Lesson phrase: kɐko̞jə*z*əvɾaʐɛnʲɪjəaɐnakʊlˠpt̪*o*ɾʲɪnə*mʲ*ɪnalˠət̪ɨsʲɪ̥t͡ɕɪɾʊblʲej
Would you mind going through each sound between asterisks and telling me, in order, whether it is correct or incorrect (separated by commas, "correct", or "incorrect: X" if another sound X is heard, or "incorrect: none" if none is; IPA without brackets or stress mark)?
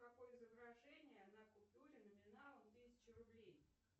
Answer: correct, incorrect: u, correct